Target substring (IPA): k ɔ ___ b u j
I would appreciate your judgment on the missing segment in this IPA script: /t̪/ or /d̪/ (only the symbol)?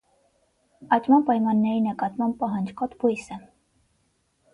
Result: t̪